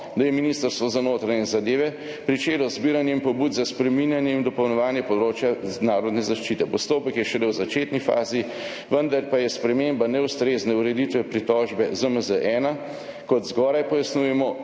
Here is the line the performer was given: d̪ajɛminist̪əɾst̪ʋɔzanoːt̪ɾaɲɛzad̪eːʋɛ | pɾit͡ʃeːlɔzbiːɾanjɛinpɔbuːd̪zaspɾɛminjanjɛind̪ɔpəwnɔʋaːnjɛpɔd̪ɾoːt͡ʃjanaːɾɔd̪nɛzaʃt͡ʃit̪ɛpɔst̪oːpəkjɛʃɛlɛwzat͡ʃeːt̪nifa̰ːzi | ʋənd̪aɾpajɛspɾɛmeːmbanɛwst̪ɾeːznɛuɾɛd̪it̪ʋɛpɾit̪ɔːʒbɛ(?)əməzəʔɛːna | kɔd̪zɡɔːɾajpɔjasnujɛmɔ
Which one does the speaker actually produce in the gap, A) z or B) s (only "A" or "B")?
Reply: A